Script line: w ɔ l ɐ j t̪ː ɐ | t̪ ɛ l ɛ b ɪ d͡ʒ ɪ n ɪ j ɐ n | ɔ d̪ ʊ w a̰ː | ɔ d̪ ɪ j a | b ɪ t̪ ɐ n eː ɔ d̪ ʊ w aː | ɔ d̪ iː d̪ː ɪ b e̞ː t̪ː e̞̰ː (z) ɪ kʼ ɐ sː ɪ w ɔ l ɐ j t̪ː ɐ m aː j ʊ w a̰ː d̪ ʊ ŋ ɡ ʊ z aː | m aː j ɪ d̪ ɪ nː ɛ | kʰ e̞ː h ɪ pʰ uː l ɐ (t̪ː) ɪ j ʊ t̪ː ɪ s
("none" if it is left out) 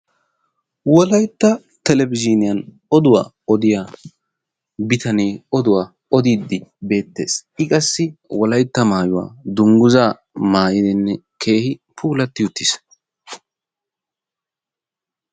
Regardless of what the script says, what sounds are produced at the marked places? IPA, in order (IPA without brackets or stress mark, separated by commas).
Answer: s, t̪ː